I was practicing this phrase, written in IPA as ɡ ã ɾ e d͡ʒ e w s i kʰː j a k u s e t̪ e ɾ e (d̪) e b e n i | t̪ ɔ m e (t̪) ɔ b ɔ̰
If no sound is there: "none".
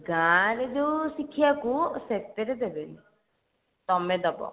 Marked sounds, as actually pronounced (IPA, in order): d̪, d̪

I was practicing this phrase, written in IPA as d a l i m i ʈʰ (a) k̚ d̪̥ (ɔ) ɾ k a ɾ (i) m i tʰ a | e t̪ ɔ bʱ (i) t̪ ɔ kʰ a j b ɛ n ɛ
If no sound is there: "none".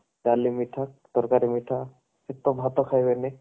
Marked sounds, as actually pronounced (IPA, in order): a, ɔ, i, a

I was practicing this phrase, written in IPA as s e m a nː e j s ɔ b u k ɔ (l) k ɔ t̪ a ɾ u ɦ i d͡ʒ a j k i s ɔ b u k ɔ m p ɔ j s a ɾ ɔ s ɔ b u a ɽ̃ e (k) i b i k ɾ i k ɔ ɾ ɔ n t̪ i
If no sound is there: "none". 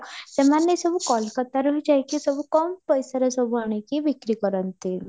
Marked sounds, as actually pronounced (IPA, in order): l, k

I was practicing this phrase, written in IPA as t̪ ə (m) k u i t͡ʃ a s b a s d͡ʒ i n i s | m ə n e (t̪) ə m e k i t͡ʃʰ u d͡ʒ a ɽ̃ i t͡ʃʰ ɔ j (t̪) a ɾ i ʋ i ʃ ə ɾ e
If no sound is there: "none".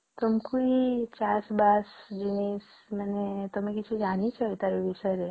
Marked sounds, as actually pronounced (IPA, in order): m, t̪, t̪

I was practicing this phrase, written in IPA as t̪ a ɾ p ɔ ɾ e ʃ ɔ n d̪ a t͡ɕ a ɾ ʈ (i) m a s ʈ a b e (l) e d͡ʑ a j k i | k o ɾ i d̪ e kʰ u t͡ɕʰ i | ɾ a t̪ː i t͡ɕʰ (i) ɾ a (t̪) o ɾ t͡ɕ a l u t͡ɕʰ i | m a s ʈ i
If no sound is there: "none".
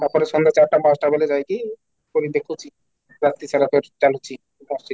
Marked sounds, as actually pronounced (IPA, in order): a, l, a, t̪

